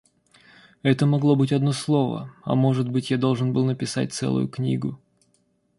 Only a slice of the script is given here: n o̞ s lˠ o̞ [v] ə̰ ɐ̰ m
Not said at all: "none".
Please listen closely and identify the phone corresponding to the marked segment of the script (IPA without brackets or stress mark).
v